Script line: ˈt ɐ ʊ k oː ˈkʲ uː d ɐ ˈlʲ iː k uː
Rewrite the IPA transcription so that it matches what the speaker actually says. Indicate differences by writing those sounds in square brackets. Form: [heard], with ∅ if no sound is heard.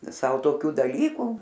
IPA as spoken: [ˈs] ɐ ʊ [t] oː ˈkʲ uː d ɐ ˈlʲ iː k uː